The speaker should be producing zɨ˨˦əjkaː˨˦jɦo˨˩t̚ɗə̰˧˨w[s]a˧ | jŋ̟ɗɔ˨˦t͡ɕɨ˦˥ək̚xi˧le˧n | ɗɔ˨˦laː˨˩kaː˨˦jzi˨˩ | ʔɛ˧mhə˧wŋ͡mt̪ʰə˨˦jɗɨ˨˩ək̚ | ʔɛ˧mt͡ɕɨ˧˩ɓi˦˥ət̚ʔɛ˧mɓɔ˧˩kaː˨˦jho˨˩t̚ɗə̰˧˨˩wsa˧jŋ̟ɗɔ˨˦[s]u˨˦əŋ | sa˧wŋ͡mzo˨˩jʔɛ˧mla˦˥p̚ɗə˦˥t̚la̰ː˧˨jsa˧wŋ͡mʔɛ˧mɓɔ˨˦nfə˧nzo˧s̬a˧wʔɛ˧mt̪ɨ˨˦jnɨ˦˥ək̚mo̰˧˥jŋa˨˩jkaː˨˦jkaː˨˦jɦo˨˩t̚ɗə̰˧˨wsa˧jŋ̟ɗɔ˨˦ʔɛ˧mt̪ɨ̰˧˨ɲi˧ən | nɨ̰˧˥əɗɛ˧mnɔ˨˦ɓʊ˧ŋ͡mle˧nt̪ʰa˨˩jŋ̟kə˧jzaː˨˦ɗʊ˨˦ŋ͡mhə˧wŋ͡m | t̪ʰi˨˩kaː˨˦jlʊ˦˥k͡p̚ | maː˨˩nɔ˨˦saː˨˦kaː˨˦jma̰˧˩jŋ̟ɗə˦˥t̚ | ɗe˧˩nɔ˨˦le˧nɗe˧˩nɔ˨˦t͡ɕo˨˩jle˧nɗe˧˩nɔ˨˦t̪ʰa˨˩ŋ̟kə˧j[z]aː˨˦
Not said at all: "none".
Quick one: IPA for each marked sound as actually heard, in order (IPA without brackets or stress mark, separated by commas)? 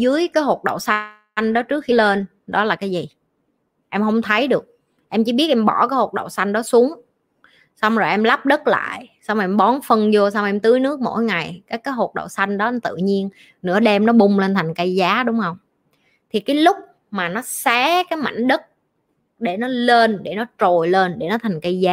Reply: s, s, z